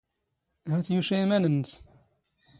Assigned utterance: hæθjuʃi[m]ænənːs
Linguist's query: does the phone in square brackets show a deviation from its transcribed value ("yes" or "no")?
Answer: no